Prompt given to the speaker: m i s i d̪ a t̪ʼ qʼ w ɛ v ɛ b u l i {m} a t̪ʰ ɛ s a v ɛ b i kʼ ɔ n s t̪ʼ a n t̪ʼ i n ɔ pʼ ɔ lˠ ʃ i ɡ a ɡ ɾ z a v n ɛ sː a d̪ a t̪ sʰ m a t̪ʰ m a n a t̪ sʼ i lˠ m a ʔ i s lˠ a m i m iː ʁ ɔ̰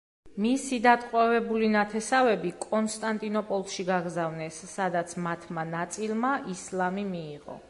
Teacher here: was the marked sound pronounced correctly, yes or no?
no